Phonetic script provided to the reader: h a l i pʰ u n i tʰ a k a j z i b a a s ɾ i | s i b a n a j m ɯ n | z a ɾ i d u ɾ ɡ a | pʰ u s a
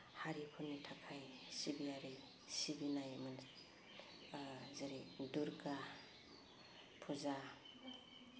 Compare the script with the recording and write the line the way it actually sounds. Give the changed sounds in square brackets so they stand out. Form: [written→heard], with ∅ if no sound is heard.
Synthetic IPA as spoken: h a [l→ɾ] i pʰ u n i tʰ a [k→kʰ] a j [z→s] i b [a→i] a [s→∅] ɾ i | s i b [a→i] n a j m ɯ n | z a ɾ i d u ɾ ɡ a | pʰ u [s→z] a